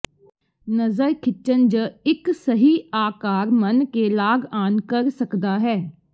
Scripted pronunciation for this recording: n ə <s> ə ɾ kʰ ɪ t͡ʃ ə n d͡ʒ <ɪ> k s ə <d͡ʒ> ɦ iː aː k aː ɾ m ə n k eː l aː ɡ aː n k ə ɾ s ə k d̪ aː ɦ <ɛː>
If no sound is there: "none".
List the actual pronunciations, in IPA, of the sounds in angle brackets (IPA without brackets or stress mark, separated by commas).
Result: z, ɪ, none, ɛː